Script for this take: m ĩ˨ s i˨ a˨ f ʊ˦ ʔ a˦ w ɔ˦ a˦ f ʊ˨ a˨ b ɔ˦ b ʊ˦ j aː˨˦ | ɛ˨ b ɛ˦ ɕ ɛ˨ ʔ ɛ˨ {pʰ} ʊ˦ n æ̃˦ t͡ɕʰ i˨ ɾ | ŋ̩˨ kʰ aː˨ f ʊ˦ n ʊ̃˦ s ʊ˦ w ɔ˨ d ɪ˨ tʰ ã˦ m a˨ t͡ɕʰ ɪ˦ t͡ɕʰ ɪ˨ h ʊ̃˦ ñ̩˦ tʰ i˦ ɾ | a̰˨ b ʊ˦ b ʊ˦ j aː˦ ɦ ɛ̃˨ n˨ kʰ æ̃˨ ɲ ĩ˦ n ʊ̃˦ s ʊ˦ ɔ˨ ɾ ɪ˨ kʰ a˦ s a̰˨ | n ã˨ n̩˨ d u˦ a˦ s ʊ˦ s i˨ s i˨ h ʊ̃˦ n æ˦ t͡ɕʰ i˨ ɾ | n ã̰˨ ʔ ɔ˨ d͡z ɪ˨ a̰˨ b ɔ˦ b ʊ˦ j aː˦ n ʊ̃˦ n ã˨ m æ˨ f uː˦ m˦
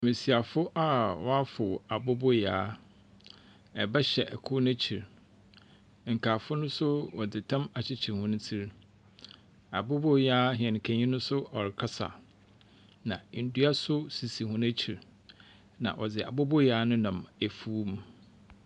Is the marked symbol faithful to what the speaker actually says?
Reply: no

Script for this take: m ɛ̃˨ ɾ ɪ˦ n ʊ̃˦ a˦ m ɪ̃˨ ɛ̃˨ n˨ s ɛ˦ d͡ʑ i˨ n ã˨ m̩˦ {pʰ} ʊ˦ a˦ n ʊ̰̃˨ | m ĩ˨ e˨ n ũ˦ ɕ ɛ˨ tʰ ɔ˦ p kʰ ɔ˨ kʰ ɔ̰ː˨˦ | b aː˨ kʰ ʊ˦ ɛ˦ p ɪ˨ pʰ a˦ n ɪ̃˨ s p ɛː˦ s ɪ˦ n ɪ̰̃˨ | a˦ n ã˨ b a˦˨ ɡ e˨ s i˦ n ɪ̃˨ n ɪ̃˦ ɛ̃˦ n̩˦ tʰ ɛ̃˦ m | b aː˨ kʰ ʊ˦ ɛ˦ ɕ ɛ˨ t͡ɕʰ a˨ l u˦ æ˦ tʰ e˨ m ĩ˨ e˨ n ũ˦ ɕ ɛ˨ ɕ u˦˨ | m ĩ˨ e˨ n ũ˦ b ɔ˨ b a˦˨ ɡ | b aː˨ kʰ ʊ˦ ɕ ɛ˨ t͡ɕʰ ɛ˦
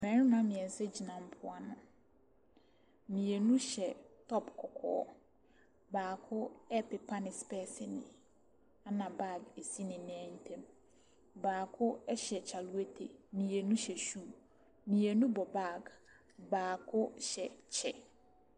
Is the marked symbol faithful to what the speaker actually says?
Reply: yes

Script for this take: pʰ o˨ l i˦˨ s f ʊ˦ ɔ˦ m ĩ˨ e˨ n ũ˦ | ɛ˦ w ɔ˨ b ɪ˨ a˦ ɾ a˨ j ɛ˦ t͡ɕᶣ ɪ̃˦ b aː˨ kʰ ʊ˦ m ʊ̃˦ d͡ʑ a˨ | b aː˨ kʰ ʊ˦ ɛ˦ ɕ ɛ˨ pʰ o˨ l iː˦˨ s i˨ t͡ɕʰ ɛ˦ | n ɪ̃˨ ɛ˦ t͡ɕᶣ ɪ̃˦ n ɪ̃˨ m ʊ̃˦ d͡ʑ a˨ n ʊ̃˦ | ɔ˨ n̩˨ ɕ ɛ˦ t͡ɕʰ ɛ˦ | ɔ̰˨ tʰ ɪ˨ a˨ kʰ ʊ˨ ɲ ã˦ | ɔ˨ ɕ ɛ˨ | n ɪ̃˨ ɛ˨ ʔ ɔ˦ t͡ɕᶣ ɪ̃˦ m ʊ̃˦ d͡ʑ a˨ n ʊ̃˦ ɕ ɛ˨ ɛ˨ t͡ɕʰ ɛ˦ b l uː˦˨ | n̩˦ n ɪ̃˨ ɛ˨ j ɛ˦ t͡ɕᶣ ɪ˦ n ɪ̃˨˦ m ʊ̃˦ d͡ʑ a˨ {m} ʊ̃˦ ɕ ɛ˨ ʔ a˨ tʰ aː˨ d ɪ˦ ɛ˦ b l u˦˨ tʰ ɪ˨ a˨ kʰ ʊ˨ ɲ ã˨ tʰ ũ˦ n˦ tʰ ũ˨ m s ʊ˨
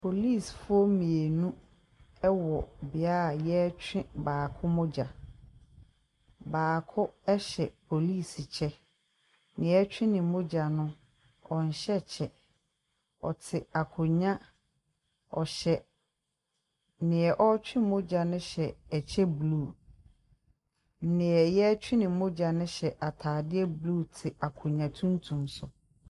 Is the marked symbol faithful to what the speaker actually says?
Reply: no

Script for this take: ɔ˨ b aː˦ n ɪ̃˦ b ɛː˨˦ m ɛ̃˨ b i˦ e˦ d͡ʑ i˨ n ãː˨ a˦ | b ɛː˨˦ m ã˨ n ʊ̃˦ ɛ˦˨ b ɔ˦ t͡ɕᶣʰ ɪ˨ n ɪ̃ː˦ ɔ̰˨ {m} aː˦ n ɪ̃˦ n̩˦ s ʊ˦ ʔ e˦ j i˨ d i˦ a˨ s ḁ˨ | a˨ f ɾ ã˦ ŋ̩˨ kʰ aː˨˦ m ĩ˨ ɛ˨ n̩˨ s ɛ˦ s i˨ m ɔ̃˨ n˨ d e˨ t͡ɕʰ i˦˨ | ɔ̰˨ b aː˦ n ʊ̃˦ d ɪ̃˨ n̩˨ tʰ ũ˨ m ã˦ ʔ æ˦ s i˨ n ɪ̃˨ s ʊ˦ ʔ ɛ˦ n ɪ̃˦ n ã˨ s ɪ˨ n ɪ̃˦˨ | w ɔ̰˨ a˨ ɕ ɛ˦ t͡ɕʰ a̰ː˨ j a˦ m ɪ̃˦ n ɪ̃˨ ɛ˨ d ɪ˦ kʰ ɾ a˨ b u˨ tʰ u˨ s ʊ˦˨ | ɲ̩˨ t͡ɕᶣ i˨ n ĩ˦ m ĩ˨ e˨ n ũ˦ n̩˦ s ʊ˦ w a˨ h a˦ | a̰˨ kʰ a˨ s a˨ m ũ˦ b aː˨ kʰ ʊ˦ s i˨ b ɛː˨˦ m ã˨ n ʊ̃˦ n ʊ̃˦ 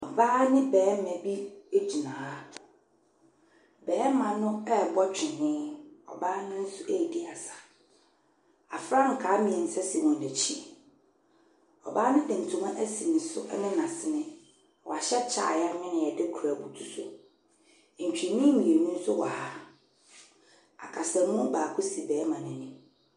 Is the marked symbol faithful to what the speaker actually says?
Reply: no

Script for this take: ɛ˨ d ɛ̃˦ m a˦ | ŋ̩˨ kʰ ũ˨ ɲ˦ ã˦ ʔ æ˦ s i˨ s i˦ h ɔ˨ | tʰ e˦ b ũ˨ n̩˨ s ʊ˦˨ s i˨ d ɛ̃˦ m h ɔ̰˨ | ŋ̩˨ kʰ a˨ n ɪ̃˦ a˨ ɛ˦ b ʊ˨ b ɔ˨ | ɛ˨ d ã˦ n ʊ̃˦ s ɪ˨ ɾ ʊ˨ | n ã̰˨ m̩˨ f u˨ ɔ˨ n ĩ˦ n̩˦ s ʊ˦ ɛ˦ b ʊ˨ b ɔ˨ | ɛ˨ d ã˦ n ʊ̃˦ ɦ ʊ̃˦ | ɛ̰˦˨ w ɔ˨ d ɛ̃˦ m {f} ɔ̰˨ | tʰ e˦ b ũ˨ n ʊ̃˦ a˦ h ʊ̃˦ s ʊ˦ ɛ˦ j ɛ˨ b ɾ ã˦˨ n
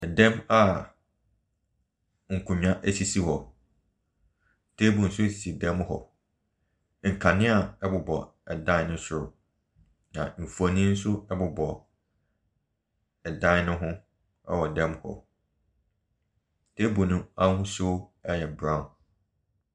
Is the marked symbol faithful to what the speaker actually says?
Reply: no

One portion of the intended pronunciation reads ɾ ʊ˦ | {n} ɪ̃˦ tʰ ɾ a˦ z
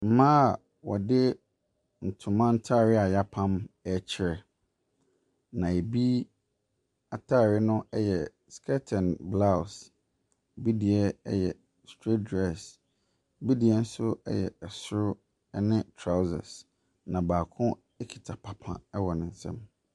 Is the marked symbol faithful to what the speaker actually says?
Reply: yes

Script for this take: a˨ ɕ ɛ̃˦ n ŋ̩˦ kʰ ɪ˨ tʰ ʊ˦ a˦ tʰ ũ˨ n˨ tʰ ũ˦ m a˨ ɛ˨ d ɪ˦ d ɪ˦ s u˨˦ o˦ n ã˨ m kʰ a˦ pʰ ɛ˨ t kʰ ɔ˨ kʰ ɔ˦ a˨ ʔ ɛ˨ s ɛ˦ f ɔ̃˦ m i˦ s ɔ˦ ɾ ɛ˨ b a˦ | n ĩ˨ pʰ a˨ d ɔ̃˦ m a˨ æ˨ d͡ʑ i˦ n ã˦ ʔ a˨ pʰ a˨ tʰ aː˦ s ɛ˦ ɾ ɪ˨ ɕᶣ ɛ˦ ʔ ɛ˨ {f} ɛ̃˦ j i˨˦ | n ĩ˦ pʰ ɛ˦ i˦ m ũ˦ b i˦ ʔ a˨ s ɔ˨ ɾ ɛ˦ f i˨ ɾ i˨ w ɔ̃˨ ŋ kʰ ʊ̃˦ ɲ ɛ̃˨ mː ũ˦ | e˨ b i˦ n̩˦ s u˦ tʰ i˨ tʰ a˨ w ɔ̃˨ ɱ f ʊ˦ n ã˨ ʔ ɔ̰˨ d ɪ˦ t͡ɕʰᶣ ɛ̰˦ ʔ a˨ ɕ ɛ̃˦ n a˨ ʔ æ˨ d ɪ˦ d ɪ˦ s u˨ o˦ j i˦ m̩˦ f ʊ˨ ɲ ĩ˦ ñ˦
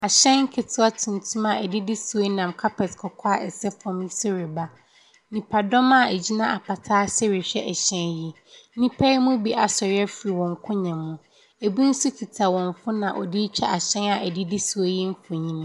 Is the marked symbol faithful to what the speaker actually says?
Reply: no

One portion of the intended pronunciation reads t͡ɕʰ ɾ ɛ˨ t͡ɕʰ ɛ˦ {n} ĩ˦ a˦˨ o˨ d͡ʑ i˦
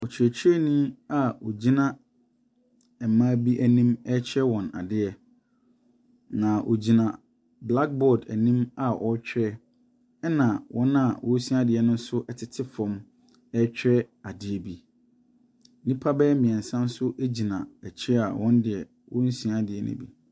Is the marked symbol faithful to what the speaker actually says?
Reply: yes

